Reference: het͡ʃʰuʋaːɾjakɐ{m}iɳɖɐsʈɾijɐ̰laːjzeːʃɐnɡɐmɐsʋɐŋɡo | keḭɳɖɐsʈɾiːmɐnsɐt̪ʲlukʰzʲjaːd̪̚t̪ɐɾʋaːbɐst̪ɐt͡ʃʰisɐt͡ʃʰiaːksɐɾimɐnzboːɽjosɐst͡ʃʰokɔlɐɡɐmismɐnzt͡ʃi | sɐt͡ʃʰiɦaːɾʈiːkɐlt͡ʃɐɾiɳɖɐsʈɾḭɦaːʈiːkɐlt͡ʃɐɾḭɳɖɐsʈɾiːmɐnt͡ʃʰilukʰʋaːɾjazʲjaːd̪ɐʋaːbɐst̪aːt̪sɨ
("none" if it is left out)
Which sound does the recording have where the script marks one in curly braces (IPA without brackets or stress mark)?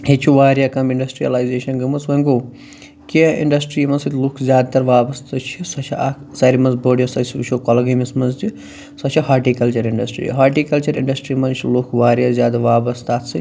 m